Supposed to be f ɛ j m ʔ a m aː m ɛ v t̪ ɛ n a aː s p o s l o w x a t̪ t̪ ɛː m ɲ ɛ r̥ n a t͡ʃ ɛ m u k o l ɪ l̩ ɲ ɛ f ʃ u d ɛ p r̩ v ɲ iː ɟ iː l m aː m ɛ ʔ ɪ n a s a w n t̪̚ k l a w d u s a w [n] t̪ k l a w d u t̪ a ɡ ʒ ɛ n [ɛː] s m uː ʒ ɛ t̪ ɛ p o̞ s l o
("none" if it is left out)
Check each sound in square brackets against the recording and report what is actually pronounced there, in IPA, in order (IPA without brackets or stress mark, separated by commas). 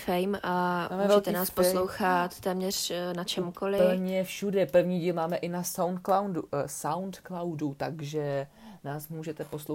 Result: n, aː